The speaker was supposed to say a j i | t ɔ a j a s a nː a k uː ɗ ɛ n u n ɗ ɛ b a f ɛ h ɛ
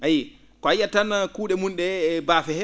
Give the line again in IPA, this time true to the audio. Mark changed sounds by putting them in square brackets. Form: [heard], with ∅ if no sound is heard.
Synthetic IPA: a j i | [k] ɔ a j a [t] a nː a k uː ɗ ɛ [m] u n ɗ ɛ b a f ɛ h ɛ